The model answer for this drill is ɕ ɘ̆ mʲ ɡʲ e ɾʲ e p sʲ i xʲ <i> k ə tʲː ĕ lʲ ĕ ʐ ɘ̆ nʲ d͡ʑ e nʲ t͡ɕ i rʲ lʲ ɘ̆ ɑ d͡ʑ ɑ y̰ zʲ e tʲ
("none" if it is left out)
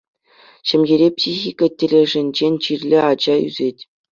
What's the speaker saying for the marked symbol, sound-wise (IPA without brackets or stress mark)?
i